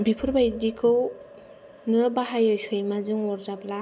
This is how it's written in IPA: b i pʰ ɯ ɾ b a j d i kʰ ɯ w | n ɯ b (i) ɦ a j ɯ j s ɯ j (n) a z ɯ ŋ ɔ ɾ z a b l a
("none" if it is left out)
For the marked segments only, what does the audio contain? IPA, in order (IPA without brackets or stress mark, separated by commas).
a, m